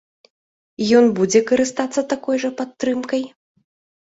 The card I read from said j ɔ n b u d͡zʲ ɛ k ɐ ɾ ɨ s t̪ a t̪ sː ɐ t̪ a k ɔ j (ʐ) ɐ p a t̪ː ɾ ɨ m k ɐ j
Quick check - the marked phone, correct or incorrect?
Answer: correct